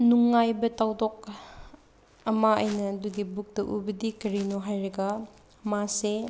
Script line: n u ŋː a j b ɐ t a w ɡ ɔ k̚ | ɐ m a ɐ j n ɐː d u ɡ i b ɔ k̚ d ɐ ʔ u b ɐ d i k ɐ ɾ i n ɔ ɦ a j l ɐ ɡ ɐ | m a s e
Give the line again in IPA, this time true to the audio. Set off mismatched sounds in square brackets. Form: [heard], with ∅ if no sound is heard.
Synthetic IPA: n u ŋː a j b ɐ t a w [d] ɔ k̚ | ɐ m a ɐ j n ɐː d u ɡ i b [u] k̚ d ɐ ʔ u b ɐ d i k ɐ ɾ i n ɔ ɦ a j [ɾ] ɐ ɡ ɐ | m a s e